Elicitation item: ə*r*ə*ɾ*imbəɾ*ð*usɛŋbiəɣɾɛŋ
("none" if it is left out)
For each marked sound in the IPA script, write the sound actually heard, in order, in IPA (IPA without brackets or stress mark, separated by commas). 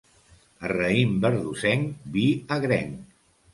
r, none, ð